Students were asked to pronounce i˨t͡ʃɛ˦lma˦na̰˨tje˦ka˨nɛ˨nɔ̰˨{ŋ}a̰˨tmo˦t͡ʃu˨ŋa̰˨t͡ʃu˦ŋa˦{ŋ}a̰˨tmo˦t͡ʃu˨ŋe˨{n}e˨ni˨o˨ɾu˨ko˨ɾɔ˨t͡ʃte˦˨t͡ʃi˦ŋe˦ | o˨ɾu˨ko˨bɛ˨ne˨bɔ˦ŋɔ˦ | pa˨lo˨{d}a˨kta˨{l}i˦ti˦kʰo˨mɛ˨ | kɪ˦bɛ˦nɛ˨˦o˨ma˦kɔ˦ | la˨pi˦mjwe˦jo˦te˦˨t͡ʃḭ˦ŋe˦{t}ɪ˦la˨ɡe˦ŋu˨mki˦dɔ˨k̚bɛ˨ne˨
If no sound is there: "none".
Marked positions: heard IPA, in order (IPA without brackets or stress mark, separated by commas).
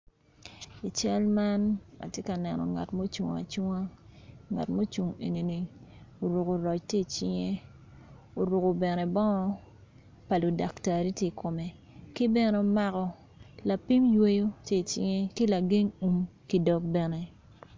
ŋ, ŋ, n, d, ɾ, k